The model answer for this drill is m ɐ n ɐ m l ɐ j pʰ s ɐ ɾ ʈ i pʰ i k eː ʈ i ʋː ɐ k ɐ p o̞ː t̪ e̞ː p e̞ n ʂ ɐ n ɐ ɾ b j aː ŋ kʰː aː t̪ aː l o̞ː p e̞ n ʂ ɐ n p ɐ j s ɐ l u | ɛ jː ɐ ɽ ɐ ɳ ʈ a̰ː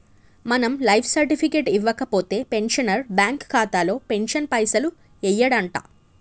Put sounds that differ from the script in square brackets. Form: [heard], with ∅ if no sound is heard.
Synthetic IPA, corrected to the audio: m ɐ n ɐ m l ɐ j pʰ s ɐ ɾ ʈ i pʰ i k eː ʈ i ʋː ɐ k ɐ p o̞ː t̪ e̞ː p e̞ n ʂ ɐ n ɐ ɾ b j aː ŋ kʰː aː t̪ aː l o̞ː p e̞ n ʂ ɐ n p ɐ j s ɐ l u | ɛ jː ɐ ɽ ɐ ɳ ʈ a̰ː

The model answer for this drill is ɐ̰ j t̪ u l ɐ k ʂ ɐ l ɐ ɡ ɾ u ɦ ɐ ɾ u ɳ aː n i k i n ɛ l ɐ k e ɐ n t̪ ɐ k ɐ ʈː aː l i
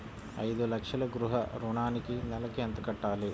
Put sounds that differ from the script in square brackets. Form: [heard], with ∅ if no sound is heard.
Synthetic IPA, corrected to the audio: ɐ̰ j [d̪] u l ɐ k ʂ ɐ l ɐ ɡ ɾ u ɦ ɐ ɾ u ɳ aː n i k i n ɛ l ɐ k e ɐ n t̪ ɐ k ɐ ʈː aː l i

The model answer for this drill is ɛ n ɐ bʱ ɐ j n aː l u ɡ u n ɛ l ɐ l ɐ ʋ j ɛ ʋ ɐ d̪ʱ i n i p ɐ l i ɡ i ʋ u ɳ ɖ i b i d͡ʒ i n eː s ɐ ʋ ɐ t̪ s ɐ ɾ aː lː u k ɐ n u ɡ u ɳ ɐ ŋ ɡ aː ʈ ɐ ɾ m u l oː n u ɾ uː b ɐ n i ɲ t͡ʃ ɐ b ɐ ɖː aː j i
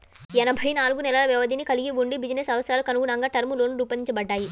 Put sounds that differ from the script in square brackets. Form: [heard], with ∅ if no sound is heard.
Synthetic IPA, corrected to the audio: ɛ n ɐ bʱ ɐ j n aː l u ɡ u n ɛ l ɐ l ɐ ʋ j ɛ ʋ ɐ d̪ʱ i n i [k] ɐ l i ɡ i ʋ u ɳ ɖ i b i d͡ʒ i n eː s ɐ ʋ ɐ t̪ s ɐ ɾ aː [l] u k ɐ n u ɡ u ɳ ɐ ŋ ɡ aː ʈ ɐ ɾ m u l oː n u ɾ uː [p] ɐ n i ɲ t͡ʃ ɐ b ɐ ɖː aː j i

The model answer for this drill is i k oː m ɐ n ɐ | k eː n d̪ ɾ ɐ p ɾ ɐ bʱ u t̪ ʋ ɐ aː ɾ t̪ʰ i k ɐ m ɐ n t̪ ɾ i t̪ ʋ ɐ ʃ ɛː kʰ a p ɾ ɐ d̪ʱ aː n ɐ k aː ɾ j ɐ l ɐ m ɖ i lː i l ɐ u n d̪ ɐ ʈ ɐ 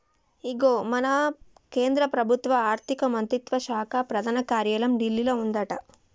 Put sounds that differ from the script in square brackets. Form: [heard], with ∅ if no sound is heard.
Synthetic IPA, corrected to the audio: i [ɡ] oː m ɐ n ɐ | k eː n d̪ ɾ ɐ p ɾ ɐ bʱ u t̪ ʋ ɐ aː ɾ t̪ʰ i k ɐ m ɐ n t̪ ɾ i t̪ ʋ ɐ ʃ [aː] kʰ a p ɾ ɐ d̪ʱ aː n ɐ k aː ɾ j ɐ l ɐ m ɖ i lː i l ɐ u n d̪ ɐ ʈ ɐ

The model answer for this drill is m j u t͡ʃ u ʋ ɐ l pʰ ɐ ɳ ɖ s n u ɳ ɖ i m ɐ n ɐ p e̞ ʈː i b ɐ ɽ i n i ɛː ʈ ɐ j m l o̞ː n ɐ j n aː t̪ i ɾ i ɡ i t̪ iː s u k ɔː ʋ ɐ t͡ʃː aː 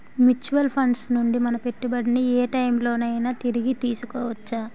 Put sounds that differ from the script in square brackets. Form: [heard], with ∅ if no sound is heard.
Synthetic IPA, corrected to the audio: m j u t͡ʃ u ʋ ɐ l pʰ ɐ ɳ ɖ s n u ɳ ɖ i m ɐ n ɐ p e̞ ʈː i b ɐ ɽ i n i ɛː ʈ ɐ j m l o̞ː n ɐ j n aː t̪ i ɾ i ɡ i t̪ iː s u k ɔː ʋ ɐ t͡ʃː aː

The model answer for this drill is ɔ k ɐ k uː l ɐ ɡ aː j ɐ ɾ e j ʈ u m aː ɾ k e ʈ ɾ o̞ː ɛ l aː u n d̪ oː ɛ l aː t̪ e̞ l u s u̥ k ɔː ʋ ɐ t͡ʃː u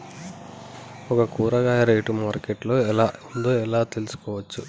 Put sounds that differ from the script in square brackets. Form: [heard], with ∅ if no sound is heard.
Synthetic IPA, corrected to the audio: ɔ k ɐ k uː [ɾ] ɐ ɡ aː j ɐ ɾ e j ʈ u m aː ɾ k e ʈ [l] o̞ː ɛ l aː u n d̪ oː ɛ l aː t̪ e̞ l u s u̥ k ɔː ʋ ɐ t͡ʃː u

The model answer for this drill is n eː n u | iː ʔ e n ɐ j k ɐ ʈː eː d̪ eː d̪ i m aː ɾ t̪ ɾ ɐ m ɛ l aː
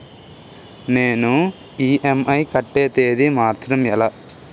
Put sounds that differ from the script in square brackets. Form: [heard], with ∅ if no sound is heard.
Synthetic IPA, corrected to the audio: n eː n u | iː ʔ e [m] ɐ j k ɐ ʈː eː [t̪] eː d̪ i m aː ɾ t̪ ɾ ɐ m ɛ l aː

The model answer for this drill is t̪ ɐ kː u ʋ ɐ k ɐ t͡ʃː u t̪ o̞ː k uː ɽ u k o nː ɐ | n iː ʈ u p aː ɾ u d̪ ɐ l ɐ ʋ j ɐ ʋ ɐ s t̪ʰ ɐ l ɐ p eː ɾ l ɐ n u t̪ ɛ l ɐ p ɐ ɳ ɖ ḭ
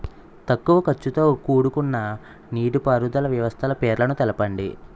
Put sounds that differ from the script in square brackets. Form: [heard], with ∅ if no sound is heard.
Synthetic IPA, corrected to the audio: t̪ ɐ kː u ʋ ɐ k ɐ t͡ʃː u t̪ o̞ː k uː ɽ u k [u] nː ɐ | n iː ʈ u p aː ɾ u d̪ ɐ l ɐ ʋ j ɐ ʋ ɐ s t̪ʰ ɐ l ɐ p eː ɾ l ɐ n u t̪ ɛ l ɐ p ɐ ɳ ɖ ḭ

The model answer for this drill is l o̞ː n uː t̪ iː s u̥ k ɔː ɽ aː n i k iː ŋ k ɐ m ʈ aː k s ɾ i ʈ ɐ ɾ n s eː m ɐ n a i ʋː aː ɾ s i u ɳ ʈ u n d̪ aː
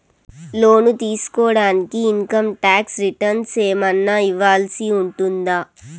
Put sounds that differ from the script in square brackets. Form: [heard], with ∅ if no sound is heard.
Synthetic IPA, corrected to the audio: l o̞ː n [u] t̪ iː s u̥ k ɔː ɽ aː n i k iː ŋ k ɐ m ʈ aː k s ɾ i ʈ ɐ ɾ n s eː m ɐ [nː] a i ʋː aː [l] s i u ɳ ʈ u n d̪ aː

